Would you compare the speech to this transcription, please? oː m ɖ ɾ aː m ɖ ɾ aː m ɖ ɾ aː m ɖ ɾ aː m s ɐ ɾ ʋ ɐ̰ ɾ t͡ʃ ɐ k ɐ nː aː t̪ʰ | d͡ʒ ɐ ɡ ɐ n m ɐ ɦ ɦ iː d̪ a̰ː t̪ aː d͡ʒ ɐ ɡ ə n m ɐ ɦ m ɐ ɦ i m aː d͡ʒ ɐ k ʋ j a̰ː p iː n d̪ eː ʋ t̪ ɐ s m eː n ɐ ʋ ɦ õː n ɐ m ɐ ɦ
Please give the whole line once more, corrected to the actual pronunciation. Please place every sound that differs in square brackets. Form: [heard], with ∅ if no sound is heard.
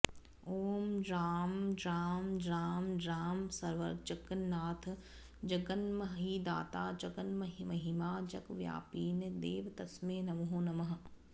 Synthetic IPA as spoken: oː m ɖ ɾ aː m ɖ ɾ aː m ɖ ɾ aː m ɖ ɾ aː m s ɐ ɾ ʋ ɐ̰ ɾ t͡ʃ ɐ k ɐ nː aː t̪ʰ | d͡ʒ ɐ ɡ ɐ n m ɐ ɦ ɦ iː d̪ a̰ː t̪ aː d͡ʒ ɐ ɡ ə n m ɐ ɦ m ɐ ɦ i m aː d͡ʒ ɐ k ʋ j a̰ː p iː n d̪ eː ʋ t̪ ɐ s m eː n ɐ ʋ ɦ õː n ɐ m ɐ ɦ